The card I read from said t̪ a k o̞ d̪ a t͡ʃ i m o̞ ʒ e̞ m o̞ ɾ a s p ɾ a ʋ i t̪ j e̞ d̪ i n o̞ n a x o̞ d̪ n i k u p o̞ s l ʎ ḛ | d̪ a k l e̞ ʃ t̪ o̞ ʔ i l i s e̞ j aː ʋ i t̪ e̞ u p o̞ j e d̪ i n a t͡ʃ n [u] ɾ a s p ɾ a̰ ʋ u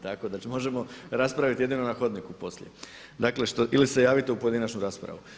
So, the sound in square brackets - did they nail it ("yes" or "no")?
yes